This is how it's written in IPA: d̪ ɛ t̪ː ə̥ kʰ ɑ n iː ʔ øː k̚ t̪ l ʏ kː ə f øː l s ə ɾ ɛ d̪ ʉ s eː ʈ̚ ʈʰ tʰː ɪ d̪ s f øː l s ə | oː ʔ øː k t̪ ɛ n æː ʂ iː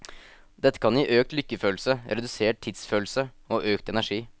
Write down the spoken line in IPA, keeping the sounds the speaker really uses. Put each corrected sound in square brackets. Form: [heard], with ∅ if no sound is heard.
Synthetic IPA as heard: d̪ ɛ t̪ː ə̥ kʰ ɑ n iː ʔ øː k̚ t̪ l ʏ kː ə f øː l s ə ɾ ɛ d̪ ʉ s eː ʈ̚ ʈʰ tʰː ɪ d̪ s f øː l s ə | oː ʔ øː k t̪ ɛ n [æ] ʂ iː